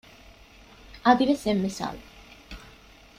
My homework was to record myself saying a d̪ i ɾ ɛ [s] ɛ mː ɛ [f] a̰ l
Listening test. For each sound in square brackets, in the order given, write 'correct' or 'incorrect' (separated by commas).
correct, incorrect